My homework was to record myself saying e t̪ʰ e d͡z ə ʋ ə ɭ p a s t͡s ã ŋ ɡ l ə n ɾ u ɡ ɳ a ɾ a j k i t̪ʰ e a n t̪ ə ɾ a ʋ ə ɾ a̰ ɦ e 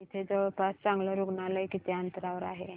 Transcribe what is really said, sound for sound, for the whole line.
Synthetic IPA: i t̪ʰ e d͡z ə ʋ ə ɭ p a s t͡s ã ŋ ɡ l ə ɾ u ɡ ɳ a l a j k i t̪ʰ e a n t̪ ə ɾ a ʋ ə ɾ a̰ ɦ e